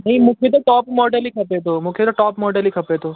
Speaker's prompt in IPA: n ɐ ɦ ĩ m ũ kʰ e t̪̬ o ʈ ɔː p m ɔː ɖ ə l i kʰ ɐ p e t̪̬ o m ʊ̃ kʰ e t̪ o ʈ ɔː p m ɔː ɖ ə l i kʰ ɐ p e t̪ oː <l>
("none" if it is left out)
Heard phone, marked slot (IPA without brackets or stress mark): none